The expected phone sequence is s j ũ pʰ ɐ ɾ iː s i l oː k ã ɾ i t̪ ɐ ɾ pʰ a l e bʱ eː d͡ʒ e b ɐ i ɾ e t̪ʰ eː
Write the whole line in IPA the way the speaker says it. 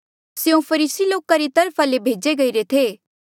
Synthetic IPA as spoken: s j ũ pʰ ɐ ɾ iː s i l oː k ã ɾ i t̪ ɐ ɾ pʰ a l e bʱ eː d͡ʒ e ɡ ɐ i ɾ e t̪ʰ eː